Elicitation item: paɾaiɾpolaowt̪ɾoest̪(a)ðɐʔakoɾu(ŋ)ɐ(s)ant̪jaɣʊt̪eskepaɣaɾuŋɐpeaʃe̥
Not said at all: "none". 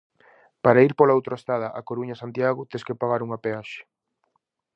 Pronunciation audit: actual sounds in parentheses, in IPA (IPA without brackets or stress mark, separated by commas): a, ɲ, s